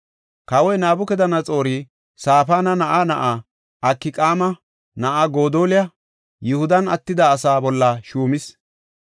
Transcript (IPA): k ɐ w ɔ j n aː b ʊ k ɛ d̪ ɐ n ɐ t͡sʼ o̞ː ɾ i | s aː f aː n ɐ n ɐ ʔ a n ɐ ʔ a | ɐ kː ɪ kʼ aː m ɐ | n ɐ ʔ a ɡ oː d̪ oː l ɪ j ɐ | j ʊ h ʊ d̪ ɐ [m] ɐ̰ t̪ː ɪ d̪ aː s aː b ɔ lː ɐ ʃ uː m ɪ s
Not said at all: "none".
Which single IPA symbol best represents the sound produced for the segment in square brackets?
n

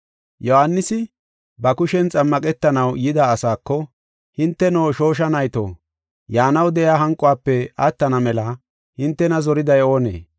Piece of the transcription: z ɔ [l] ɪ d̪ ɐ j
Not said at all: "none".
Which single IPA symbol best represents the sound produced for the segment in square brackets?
ɾ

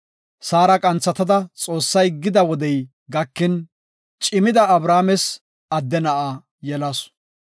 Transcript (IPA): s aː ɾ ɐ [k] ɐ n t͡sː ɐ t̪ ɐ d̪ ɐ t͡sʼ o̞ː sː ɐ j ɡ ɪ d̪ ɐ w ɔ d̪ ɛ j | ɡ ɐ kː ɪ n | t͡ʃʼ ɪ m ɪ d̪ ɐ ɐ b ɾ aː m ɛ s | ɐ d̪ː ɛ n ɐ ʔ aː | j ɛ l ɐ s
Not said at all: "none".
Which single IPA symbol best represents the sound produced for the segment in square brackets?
kʼ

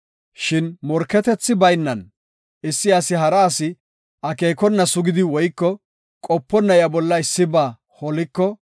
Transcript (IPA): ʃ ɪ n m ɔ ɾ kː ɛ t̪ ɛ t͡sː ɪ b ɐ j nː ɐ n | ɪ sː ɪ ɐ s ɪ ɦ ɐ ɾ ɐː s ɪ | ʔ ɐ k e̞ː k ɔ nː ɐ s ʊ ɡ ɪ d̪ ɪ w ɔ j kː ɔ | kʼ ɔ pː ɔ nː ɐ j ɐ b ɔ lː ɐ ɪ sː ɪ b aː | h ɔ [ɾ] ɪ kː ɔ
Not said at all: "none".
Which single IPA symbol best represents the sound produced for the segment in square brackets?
l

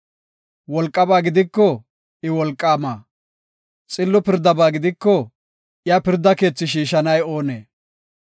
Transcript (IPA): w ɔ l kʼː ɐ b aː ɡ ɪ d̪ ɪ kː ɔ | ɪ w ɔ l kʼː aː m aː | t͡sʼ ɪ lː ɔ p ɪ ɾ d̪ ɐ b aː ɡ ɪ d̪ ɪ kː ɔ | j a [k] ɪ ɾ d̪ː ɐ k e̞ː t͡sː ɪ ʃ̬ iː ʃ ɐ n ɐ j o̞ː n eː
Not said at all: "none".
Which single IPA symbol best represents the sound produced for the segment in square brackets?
p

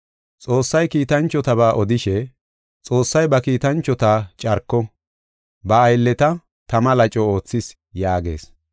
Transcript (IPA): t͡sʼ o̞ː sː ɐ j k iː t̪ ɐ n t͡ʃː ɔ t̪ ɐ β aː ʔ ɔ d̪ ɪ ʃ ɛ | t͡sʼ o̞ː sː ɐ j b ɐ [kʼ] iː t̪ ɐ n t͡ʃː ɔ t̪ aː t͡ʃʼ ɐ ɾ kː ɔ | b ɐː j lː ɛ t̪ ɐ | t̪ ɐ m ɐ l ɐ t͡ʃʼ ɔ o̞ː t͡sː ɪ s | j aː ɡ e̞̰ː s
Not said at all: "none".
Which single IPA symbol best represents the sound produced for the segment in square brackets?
k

